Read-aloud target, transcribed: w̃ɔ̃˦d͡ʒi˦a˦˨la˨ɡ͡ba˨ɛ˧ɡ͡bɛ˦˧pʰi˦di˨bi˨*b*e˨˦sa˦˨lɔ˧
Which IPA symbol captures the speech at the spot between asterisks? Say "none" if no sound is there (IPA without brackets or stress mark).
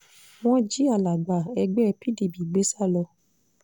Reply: ɡ͡b